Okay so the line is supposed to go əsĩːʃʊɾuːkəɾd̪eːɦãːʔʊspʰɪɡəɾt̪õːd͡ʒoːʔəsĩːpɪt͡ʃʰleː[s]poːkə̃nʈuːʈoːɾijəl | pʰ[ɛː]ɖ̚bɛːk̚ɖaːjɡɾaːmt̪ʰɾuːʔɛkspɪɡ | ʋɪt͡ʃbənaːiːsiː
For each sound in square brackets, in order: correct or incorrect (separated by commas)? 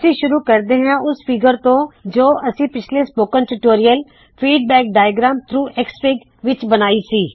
correct, incorrect